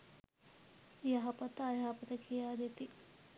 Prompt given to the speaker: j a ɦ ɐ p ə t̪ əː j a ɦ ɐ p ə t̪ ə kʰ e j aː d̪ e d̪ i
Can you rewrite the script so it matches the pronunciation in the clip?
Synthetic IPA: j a ɦ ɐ p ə t̪ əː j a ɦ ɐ p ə t̪ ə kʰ i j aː d̪ e t̪ i